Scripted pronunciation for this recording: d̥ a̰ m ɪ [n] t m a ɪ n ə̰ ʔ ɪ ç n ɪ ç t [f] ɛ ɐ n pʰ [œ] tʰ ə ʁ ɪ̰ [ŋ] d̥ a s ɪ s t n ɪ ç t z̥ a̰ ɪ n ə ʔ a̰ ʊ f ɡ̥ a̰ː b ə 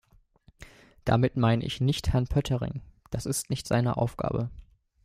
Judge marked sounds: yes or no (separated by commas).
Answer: no, no, yes, yes